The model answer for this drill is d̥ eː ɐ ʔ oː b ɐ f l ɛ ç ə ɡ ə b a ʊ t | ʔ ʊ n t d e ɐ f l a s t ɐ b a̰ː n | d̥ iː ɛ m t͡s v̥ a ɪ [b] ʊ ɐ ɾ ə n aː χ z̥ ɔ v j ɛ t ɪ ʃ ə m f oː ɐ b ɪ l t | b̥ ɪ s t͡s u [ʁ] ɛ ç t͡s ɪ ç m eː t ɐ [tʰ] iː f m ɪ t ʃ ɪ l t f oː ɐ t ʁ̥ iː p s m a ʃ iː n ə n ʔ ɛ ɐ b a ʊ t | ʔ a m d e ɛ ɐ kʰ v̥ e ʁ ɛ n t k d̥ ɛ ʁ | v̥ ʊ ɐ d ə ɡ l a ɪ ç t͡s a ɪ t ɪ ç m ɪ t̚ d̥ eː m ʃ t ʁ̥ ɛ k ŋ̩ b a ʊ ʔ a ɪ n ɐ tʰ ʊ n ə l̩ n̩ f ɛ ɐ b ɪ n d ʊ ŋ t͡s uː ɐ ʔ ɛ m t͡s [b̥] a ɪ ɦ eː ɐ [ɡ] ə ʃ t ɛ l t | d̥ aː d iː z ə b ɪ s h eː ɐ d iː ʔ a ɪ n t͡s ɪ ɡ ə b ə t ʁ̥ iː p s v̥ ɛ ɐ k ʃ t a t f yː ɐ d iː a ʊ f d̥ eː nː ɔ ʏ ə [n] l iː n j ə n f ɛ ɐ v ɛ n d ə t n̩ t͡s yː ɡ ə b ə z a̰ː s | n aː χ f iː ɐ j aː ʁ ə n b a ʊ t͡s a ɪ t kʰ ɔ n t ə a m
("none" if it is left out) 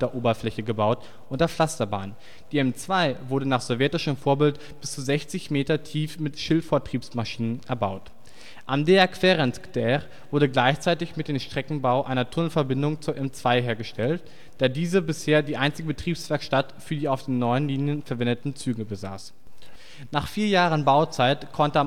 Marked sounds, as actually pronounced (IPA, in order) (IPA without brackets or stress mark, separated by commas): v, z, tʰ, v̥, ɡ, n